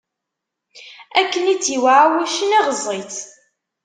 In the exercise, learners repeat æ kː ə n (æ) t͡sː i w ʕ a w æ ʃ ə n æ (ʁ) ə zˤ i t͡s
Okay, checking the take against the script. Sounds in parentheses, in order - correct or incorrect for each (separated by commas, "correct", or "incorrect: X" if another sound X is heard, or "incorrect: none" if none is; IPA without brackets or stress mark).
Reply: incorrect: i, correct